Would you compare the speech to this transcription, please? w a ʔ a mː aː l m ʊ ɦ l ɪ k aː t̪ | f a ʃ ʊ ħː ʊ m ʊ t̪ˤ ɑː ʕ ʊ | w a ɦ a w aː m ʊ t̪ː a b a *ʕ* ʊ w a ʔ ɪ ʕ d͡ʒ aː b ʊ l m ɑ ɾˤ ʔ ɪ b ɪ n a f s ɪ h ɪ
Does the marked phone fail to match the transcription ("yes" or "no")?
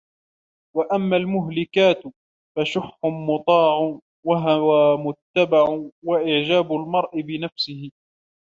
no